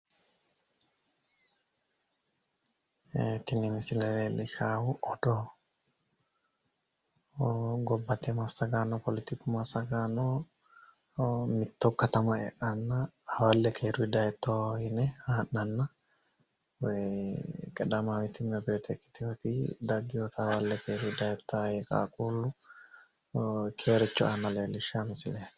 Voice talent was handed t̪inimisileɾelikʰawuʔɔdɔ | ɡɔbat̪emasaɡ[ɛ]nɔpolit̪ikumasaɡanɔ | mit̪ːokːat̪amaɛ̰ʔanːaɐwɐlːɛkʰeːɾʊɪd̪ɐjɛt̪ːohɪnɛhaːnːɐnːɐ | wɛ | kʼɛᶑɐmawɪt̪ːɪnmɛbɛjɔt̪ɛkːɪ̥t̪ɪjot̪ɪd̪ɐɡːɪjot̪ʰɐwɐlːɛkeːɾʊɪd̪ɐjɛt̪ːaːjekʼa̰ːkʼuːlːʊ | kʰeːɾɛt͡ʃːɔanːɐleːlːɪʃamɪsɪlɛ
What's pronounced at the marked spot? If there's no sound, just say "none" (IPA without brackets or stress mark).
a